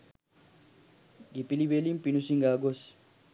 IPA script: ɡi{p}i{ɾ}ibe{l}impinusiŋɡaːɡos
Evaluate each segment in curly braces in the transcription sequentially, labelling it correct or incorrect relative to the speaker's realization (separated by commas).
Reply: correct, incorrect, correct